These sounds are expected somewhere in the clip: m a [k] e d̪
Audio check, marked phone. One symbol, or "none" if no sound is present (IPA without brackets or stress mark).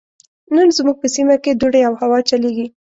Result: k